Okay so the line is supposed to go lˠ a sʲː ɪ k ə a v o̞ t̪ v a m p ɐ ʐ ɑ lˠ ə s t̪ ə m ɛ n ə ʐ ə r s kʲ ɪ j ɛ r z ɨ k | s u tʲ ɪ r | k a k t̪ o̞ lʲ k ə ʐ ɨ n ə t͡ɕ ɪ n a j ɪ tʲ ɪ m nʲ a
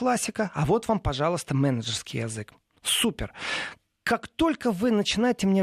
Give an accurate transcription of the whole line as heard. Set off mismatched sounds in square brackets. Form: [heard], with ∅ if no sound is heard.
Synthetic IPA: lˠ a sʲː ɪ k ə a v o̞ t̪ v a m p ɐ ʐ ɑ lˠ ə s t̪ ə m ɛ n ə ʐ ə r s kʲ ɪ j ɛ [∅] z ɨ k | s u [pʲ] ɪ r | k a k t̪ o̞ lʲ k ə [v] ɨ n ə t͡ɕ ɪ n a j ɪ tʲ ɪ m nʲ [e]